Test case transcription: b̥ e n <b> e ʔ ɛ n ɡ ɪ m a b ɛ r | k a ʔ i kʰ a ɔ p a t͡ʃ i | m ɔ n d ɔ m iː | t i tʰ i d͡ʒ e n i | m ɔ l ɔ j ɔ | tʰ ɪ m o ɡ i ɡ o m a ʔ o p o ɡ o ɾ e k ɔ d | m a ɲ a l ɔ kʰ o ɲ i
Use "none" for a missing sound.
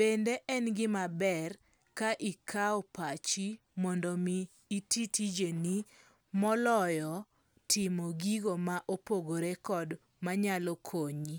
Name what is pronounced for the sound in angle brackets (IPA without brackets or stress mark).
d